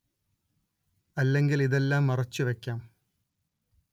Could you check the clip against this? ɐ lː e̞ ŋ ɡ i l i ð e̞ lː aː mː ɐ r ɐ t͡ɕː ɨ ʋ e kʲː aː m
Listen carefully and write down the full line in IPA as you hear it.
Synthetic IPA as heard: ɐ lː e̞ ŋ ɡ i l i ð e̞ lː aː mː ɐ r ɐ t͡ɕː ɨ ʋ e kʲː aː m

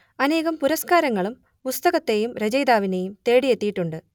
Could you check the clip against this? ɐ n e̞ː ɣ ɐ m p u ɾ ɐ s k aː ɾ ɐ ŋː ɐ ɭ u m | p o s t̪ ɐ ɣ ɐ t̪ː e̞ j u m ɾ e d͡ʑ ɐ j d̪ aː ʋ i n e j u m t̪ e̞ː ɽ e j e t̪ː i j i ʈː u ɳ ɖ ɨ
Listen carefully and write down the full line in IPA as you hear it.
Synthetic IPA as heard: ɐ n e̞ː ɣ ɐ m p u ɾ ɐ s k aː ɾ ɐ ŋː ɐ ɭ u m | p u s t̪ ɐ ɣ ɐ t̪ː e̞ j u m ɾ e d͡ʑ ɐ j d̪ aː ʋ i n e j u m t̪ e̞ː ɽ i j e t̪ː i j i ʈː u ɳ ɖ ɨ

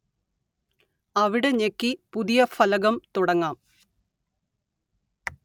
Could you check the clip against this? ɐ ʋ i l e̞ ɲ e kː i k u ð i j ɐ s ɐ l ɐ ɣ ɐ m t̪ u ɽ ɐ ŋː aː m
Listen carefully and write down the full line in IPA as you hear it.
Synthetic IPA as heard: ɐ ʋ i ɽ e̞ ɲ e kː i p u ð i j ɐ f ɐ l ɐ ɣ ɐ m t̪ u ɽ ɐ ŋː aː m

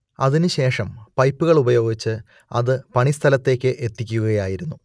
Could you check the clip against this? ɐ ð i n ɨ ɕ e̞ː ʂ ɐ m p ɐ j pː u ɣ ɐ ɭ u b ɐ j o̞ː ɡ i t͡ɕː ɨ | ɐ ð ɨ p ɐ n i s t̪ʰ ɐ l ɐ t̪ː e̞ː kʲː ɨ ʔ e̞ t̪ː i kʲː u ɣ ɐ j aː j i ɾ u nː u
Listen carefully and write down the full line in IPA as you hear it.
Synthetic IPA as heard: ɐ ð i n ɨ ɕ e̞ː ʂ ɐ m p ɐ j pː u ɣ ɐ ɭ u b ɐ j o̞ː ɡ i t͡ɕː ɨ | ɐ ð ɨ p ɐ ɳ i s t̪ʰ ɐ l ɐ t̪ː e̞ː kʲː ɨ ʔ e̞ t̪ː i kʲː u ɣ ɐ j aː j i ɾ u nː u

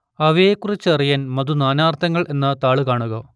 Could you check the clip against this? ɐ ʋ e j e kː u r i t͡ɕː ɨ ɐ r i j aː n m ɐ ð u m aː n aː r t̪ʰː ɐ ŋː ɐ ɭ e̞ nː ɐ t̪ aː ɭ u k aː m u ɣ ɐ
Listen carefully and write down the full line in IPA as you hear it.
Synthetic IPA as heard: ɐ ʋ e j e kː u r i t͡ɕː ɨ ɐ r i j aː n m ɐ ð u n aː n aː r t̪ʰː ɐ ŋː ɐ ɭ e̞ nː ɐ t̪ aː ɭ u k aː ɳ u ɣ ɐ

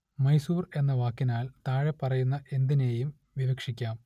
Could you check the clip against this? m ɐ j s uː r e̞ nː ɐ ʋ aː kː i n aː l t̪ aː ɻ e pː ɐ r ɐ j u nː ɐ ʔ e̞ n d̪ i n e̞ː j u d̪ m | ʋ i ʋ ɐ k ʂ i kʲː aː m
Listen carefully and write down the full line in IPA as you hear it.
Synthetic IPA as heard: m ɐ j s uː r e̞ nː ɐ ʋ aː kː i n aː l t̪ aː ɻ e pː ɐ r ɐ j u nː ɐ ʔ e̞ n d̪ i n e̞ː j u m | ʋ i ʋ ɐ k ʂ i kʲː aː m

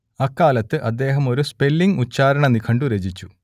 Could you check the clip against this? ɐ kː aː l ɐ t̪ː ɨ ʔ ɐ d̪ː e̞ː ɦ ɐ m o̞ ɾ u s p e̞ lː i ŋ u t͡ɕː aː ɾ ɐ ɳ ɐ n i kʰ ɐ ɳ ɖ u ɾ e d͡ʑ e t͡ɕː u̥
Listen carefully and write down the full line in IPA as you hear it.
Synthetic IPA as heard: ɐ kː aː l ɐ t̪ː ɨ ʔ ɐ d̪ː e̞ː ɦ ɐ m o̞ ɾ u s p e̞ lː i ŋ u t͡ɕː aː ɾ ɐ ɳ ɐ n i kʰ ɐ ɳ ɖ u ɾ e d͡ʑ i t͡ɕː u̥

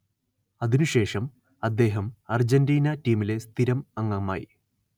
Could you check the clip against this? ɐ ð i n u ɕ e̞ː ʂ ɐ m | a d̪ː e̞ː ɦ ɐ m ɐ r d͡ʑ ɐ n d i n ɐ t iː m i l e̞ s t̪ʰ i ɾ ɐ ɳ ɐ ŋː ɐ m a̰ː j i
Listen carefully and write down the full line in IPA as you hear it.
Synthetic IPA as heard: ɐ ð i n u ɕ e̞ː ʂ ɐ m | ɐ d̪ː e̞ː ɦ ɐ m ɐ r d͡ʑ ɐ n d iː n ɐ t iː m i l e̞ s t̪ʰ i ɾ ɐ m ɐ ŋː ɐ m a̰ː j i

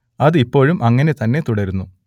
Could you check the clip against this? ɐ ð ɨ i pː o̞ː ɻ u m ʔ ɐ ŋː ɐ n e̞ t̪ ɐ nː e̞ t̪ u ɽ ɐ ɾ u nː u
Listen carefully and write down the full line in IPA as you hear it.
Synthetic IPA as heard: ɐ ð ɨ i pː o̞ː ɻ u m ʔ ɐ ŋː ɐ n e̞ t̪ ɐ nː e̞ t̪ u ɽ ɐ ɾ u nː u

